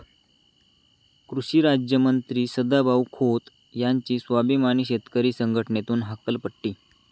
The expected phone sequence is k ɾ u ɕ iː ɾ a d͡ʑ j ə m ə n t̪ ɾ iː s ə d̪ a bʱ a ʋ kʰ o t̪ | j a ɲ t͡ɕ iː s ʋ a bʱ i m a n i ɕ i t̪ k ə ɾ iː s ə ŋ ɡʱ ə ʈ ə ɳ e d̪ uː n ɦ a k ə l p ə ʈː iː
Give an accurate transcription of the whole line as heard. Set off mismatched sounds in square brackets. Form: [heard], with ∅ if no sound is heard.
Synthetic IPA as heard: k ɾ u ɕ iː ɾ a d͡ʑ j ə m ə n t̪ ɾ iː s ə d̪ a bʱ a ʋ kʰ o t̪ | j a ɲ t͡ɕ iː s ʋ a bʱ i m a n i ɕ [e] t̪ k ə ɾ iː s ə ŋ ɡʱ ə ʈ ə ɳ e [t̪] uː n ɦ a k ə l p ə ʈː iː